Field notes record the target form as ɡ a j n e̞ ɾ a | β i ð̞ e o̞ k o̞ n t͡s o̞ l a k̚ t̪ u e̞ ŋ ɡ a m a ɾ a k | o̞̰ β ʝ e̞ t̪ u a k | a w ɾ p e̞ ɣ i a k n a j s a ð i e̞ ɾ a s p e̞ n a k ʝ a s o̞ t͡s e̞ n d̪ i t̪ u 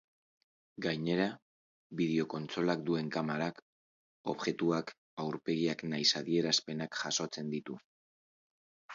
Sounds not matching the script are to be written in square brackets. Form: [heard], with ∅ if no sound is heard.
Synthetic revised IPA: ɡ a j [ɲ] e̞ ɾ a | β i ð̞ e o̞ k o̞ n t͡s o̞ l a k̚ [d̪] u e̞ ŋ [k] a m a ɾ a k | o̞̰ β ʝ e̞ t̪ u a k | a w ɾ p e̞ ɣ i a k n a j s a ð i e̞ ɾ a s p e̞ n a k ʝ a s o̞ t͡s e̞ n d̪ i t̪ u